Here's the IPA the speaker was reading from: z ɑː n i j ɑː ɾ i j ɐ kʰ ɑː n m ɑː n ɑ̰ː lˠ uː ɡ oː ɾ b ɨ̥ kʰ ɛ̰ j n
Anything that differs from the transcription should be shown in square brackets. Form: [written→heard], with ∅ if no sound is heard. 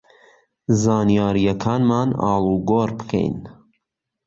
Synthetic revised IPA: z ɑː n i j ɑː ɾ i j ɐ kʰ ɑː n m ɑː n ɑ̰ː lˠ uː ɡ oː ɾ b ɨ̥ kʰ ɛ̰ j n